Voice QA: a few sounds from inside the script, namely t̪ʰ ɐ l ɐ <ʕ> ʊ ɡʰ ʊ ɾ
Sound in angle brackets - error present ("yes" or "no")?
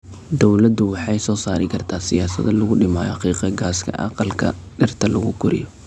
yes